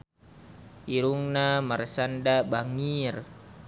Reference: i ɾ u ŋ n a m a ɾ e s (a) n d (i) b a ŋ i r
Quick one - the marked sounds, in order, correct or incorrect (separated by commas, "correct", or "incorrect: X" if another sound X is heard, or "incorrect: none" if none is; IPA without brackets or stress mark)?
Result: correct, incorrect: a